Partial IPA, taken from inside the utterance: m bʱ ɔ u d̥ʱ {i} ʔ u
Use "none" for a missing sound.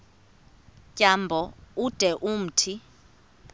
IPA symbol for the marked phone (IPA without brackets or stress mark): ɛ